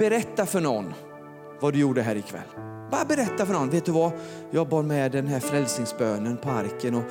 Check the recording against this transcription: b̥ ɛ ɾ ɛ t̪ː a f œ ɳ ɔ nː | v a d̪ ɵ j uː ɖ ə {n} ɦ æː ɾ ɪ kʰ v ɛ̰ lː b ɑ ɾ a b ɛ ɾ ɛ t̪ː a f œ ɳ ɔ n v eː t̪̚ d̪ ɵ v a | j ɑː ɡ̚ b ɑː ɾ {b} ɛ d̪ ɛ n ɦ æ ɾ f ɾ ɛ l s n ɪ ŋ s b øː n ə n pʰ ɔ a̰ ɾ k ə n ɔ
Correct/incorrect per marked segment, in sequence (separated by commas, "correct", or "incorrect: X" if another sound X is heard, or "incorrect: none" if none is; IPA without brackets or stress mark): incorrect: none, incorrect: m